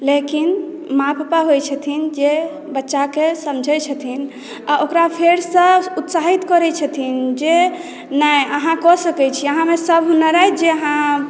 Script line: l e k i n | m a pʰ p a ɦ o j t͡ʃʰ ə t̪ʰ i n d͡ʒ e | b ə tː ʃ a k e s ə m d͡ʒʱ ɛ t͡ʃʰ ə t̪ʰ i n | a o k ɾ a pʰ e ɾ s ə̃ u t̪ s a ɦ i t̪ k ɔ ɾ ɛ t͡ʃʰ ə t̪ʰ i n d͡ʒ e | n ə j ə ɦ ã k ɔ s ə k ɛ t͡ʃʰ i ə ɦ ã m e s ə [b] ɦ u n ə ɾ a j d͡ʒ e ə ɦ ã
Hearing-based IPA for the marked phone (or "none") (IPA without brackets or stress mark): b